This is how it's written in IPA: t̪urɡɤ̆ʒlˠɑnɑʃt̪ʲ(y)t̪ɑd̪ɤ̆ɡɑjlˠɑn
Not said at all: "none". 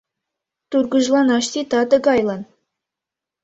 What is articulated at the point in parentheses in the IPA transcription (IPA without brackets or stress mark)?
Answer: i